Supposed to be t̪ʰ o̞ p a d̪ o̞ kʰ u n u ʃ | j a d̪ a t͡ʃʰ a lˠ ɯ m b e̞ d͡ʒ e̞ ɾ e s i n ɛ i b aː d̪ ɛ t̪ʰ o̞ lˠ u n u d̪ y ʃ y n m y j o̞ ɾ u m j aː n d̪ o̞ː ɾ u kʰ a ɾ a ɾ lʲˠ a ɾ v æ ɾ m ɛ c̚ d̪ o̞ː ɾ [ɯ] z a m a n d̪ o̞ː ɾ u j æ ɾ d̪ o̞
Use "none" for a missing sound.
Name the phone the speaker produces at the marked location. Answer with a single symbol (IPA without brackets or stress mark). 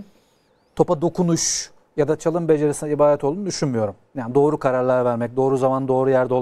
u